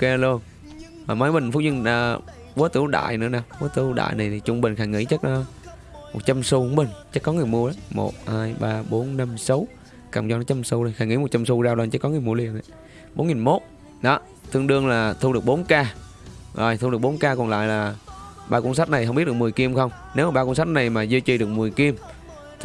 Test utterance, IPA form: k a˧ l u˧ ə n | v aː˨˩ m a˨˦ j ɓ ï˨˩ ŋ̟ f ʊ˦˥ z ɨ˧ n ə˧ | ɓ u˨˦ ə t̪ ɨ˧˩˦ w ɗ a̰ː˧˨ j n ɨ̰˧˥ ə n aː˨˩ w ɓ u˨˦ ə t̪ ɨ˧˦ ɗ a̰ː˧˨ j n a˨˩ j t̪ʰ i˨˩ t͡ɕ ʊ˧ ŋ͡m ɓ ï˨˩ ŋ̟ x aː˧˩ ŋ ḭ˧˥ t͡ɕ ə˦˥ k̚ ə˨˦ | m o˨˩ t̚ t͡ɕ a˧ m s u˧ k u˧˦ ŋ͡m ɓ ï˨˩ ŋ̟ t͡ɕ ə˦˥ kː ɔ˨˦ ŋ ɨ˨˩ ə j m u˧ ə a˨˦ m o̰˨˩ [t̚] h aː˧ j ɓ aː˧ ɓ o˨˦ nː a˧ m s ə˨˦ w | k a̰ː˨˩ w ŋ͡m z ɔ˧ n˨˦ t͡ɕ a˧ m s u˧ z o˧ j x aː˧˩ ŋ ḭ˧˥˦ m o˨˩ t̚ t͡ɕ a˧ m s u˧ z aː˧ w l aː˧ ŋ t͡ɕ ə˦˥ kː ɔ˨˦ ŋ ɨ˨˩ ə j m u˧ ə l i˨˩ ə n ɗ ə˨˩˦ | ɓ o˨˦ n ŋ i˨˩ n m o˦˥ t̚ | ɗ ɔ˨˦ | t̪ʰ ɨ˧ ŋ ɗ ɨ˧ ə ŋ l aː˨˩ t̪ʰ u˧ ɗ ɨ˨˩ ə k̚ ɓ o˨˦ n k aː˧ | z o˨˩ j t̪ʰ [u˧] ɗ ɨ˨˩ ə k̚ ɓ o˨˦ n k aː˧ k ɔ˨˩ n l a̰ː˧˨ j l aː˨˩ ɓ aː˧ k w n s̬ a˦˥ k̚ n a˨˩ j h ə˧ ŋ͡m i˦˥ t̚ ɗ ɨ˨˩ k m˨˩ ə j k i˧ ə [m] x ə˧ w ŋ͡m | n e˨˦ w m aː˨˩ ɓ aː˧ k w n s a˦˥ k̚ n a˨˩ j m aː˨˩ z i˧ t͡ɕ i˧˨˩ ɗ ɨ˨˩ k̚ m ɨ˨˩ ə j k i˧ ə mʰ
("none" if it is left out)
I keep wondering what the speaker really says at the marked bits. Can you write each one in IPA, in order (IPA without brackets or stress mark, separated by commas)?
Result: t̚, u˧, m